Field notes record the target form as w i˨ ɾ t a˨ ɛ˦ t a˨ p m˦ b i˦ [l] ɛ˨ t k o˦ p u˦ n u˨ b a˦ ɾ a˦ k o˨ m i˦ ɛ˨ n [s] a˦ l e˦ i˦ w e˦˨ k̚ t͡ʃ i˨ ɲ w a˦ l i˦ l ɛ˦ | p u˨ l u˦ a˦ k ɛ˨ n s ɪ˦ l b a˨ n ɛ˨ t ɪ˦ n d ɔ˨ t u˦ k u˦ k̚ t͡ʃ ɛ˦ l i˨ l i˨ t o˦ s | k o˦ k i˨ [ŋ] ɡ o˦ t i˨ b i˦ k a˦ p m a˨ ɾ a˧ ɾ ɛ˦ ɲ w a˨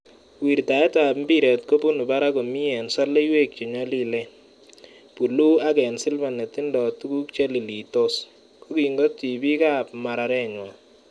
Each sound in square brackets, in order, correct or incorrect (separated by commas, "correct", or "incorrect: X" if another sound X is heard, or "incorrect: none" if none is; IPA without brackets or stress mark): incorrect: ɾ, correct, correct